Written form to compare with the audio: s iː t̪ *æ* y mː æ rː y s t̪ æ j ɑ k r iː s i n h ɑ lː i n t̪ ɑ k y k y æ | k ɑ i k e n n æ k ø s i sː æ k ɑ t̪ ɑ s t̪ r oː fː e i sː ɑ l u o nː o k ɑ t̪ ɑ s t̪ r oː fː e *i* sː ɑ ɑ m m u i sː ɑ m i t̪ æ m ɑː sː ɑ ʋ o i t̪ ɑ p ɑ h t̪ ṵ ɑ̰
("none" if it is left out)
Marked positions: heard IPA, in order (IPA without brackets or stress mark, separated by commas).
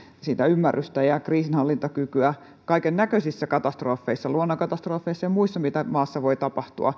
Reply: æ, i